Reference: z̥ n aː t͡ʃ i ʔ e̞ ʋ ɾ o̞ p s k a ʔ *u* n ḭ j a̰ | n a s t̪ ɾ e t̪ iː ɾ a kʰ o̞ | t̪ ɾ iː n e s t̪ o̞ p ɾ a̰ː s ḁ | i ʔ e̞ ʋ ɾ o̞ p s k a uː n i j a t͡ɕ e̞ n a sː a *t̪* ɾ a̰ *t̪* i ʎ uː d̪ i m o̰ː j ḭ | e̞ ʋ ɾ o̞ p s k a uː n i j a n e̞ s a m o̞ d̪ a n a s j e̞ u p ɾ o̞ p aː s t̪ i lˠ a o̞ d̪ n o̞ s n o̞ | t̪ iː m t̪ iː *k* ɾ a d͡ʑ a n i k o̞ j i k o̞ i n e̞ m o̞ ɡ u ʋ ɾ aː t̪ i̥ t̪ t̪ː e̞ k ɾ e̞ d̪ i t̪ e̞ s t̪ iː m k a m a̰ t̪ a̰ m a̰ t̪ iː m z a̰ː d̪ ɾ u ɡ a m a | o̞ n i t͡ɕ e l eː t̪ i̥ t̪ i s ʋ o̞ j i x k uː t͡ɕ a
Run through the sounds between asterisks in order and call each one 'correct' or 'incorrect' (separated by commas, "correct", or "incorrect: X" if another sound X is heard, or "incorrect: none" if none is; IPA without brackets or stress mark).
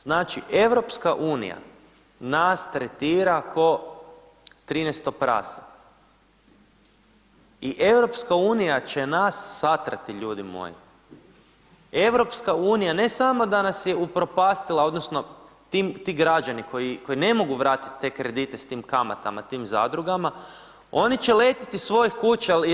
incorrect: uː, correct, correct, incorrect: ɡ